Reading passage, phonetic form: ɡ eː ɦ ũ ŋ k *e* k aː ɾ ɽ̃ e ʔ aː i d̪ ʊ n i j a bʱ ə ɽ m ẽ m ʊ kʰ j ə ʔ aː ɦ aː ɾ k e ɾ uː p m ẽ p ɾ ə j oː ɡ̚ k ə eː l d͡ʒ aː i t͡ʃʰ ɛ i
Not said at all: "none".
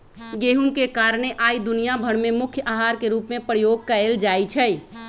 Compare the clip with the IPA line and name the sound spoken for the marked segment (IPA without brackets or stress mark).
e